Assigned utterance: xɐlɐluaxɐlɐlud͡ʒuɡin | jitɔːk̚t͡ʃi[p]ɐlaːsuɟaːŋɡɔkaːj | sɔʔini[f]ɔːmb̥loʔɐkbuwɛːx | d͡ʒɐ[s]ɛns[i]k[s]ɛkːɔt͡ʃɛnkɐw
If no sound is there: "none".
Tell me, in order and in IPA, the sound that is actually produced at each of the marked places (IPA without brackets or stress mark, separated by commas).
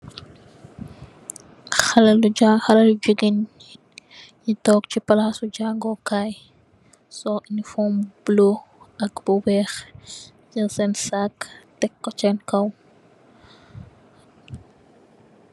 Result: p, f, s, a, t